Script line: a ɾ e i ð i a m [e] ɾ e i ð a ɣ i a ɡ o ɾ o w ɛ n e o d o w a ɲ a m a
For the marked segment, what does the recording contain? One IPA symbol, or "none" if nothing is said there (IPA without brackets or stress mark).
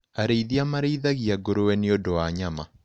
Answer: a